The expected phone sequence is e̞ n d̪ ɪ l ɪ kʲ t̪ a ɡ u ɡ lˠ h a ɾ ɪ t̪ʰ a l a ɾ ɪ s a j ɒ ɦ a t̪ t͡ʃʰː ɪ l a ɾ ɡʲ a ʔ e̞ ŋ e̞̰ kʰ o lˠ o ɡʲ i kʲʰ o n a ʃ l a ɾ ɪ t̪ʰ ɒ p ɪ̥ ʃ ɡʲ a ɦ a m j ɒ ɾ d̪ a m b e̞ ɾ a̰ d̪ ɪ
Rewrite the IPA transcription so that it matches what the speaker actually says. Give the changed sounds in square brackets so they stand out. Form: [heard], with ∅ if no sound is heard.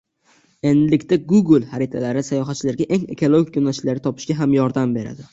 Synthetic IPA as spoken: e̞ n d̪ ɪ l ɪ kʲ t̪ a ɡ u ɡ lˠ h a ɾ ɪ t̪ʰ a l a ɾ ɪ s a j ɒ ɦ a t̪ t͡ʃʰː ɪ l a ɾ ɡʲ a ʔ e̞ ŋ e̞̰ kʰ o lˠ o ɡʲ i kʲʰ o n a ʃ l a ɾ ɪ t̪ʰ ɒ p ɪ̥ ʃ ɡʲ a ɦ a m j ɒ ɾ d̪ a m b e̞ ɾ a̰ d̪ ɪ